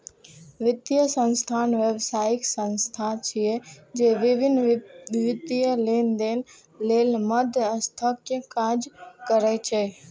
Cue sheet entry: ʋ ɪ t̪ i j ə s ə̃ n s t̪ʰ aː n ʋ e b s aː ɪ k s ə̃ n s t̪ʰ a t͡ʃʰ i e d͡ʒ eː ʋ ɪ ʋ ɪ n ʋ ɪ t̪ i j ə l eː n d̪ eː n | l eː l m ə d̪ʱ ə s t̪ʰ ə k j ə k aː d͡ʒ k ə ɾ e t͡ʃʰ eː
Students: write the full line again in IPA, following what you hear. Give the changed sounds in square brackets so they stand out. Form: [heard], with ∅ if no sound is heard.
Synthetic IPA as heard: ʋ ɪ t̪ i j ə s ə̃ n s t̪ʰ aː n ʋ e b s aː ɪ k s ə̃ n s t̪ʰ a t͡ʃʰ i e d͡ʒ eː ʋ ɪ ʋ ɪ n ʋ ɪ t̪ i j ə l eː n d̪ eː n | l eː l m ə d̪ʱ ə s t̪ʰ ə k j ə k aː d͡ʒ k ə ɾ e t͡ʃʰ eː